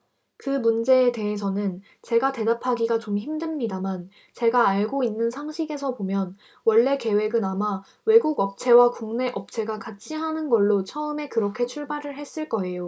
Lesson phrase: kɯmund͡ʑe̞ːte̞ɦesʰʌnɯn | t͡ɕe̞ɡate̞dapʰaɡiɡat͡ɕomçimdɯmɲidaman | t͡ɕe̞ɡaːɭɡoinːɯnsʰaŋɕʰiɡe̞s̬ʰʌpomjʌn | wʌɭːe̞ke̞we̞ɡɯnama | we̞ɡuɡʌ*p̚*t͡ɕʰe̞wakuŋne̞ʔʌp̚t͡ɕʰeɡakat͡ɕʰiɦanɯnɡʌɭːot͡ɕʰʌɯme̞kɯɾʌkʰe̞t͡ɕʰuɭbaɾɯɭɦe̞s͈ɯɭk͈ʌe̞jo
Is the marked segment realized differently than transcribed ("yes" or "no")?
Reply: no